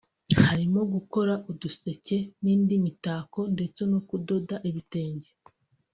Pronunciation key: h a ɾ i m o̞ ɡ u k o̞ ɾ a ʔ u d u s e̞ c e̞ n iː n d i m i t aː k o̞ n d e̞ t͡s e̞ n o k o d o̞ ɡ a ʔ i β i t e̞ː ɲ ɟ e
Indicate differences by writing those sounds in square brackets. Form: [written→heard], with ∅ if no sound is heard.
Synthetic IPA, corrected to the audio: h a ɾ i m o̞ ɡ u k o̞ ɾ a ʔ u d u s e̞ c e̞ n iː n d i m i t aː k o̞ n d e̞ t͡s e̞ n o k [o→u] d o̞ [ɡ→d] a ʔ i β i t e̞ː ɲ ɟ e